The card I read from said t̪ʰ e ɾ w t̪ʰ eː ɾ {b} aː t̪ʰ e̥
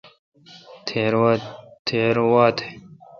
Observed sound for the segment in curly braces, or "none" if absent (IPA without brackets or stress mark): w